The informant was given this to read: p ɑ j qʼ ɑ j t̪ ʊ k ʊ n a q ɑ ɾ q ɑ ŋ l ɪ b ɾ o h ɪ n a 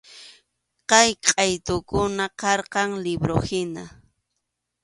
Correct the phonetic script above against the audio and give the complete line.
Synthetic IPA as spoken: q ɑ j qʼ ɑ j t̪ ʊ k ʊ n a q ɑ ɾ q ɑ ŋ l ɪ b ɾ o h ɪ n a